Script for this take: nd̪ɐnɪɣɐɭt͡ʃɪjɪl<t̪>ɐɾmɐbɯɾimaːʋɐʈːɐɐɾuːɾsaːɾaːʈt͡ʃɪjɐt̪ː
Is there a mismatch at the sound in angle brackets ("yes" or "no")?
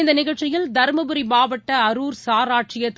yes